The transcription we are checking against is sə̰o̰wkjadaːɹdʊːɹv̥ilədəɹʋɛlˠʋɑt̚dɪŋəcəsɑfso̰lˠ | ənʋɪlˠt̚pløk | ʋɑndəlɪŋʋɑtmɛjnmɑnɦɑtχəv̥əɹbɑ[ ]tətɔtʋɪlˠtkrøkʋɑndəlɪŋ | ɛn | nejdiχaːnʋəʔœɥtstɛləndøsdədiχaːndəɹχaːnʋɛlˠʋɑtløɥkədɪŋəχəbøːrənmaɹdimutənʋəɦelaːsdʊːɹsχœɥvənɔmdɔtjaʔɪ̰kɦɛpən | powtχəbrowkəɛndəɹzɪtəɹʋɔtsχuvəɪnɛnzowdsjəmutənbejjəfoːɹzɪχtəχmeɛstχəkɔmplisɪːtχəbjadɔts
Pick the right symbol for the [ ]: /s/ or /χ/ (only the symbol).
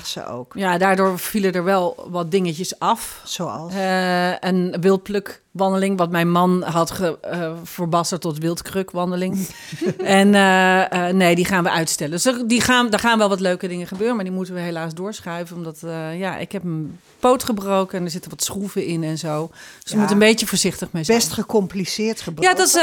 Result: s